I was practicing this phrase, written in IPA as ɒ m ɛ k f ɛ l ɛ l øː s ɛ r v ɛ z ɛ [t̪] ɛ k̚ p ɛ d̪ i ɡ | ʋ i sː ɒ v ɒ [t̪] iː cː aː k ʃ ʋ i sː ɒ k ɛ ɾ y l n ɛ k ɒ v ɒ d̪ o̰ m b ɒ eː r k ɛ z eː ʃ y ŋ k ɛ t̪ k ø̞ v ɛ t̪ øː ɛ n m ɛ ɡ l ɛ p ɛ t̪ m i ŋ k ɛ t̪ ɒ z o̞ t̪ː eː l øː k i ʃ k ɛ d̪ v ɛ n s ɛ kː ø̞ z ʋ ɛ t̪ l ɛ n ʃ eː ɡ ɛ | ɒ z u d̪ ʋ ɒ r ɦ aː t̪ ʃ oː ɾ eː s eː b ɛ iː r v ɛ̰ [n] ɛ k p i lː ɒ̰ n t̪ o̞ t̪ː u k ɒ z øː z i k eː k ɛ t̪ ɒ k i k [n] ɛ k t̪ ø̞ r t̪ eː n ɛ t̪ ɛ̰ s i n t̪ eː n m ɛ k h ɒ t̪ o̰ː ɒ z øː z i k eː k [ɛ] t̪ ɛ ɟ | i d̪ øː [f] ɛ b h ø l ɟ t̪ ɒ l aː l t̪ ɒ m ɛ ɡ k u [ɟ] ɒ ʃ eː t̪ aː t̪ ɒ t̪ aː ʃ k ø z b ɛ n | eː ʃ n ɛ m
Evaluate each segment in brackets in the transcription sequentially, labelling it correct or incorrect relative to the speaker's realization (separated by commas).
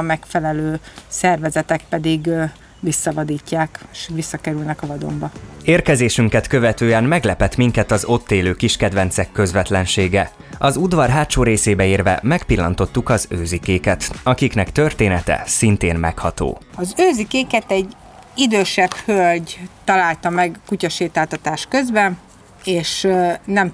correct, incorrect, incorrect, correct, correct, incorrect, incorrect